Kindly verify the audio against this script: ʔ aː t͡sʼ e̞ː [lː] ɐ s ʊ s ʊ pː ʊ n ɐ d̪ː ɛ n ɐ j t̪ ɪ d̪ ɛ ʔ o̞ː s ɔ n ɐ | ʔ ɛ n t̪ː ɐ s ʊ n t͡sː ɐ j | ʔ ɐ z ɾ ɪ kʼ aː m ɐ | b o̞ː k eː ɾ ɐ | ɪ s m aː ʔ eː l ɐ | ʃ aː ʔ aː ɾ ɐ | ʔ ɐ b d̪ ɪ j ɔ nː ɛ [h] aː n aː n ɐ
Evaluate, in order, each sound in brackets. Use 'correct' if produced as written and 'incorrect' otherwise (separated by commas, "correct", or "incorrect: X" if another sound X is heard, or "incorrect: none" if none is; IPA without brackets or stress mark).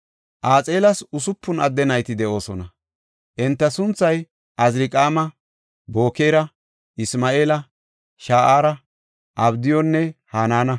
incorrect: l, correct